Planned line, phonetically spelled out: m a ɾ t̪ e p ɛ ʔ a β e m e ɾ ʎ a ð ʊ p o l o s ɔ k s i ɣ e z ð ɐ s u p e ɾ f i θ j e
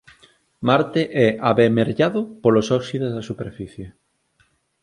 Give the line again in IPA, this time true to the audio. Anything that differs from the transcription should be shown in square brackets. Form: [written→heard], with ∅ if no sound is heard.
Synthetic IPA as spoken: m a ɾ t̪ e [p→ʔ] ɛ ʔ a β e m e ɾ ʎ a ð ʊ p o l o s ɔ k s i [ɣ→ð] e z ð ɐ s u p e ɾ f i θ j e